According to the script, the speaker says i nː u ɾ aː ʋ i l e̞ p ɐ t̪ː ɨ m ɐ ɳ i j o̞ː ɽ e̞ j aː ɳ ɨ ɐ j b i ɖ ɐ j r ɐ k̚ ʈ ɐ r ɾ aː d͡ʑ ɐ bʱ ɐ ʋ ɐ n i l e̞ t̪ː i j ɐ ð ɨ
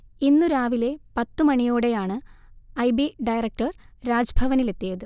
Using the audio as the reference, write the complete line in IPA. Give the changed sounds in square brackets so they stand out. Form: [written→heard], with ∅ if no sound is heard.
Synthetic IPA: i nː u ɾ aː ʋ i l e̞ p ɐ t̪ː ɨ m ɐ ɳ i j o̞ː ɽ e̞ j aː ɳ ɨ ɐ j b i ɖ ɐ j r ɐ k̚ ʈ ɐ r ɾ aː d͡ʑ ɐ bʱ ɐ ʋ ɐ n i l e̞ t̪ː i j ɐ ð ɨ